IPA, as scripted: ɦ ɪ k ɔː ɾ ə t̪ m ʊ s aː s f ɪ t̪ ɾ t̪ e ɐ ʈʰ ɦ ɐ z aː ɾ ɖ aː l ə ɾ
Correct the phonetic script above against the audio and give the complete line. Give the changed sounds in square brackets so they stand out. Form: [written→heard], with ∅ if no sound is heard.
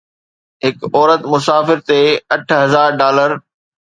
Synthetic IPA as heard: ɦ ɪ k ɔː ɾ ə t̪ m ʊ s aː [s→∅] f ɪ [t̪→∅] ɾ t̪ e ɐ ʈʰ ɦ ɐ z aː ɾ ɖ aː l ə ɾ